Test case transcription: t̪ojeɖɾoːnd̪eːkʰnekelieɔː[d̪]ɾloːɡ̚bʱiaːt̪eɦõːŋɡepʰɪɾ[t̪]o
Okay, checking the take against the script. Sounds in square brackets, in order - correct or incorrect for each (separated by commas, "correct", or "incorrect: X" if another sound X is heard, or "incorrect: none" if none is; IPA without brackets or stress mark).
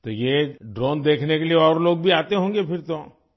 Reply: incorrect: none, correct